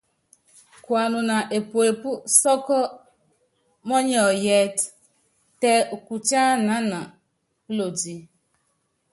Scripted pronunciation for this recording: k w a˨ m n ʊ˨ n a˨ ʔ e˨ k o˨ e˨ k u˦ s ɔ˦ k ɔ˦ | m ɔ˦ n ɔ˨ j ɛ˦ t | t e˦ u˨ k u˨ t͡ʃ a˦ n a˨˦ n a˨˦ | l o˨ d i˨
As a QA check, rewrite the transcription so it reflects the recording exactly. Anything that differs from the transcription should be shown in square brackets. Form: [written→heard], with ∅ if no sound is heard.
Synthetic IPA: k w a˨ [m→∅] n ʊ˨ n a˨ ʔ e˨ [k→p] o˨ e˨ [k→p] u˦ s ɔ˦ k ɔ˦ | m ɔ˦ [n→ɲ] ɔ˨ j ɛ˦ t | t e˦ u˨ k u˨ t͡ʃ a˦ n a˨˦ n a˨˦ | l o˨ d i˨